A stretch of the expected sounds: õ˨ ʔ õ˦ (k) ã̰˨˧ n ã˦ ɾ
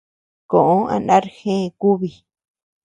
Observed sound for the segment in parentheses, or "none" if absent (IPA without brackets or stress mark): none